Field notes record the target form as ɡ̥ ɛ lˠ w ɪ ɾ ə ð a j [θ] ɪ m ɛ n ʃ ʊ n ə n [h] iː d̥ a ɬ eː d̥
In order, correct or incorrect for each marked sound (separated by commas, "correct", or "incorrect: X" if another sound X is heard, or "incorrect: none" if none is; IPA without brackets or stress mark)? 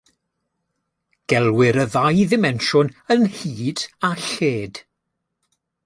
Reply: incorrect: ð, correct